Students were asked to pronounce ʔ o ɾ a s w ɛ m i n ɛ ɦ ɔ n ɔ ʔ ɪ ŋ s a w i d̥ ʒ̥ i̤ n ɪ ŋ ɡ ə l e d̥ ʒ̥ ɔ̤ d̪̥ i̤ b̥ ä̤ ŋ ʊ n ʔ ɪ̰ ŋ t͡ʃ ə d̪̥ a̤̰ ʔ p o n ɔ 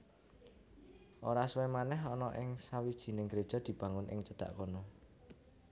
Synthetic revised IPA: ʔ o ɾ a s w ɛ m a n ɛ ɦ ɔ n ɔ ʔ ɪ ŋ s a w i d̥ ʒ̥ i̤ n ɪ ŋ ɡ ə ɾ e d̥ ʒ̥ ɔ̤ d̪̥ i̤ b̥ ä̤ ŋ ʊ n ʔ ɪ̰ ŋ t͡ʃ ə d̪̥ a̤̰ ʔ k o n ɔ

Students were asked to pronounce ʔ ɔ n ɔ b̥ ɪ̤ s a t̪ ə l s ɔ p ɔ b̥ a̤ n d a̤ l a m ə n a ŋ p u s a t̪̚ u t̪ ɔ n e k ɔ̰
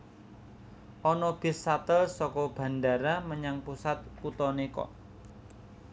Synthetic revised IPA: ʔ ɔ n ɔ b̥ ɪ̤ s a t̪ ə l s ɔ k ɔ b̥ a̤ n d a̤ ɾ a m ə ɲ a ŋ p u s a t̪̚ u t̪ ɔ n e k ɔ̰

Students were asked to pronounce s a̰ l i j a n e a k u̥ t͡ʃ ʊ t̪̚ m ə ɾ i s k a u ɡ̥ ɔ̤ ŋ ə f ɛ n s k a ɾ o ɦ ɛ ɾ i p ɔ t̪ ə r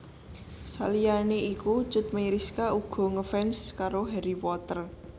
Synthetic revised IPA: s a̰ l i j a n e i k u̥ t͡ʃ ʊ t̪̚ m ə ɾ i s k a u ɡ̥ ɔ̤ ŋ ə f ɛ n s k a ɾ o ɦ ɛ ɾ i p ɔ t̪ ə r

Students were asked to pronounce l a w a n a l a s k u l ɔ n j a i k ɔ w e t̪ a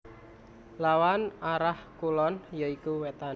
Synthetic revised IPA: l a w a n a ɾ a h k u l ɔ n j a i k u w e t̪ a

